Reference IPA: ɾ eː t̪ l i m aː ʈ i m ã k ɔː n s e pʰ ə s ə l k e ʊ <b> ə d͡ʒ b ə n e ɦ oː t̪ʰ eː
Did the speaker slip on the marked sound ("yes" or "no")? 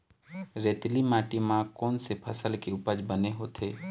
yes